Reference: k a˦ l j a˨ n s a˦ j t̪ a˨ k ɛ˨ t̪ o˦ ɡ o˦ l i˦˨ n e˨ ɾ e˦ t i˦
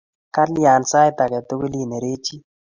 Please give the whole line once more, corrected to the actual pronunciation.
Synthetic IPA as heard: k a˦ l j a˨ n s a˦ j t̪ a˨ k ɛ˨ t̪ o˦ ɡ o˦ l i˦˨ n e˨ ɾ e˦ t͡ʃ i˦